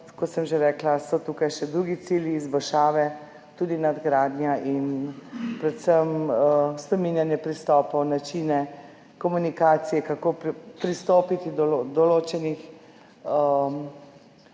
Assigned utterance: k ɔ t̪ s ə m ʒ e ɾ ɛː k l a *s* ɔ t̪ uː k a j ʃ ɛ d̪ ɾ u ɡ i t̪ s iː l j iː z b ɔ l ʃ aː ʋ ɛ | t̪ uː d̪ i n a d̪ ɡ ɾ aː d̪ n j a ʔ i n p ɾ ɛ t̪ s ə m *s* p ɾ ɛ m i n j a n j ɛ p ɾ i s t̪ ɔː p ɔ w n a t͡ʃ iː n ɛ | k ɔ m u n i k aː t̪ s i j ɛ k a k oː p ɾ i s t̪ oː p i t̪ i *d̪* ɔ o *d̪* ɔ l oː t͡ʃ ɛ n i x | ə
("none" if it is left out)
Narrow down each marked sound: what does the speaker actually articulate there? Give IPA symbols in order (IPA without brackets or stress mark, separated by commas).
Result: s, s, d̪, d̪